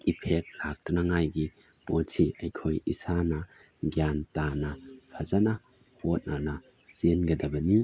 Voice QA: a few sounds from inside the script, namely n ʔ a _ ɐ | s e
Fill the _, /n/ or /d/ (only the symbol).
n